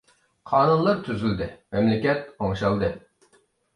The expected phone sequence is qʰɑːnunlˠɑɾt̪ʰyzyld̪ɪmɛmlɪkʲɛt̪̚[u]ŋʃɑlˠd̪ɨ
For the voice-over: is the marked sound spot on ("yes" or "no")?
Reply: no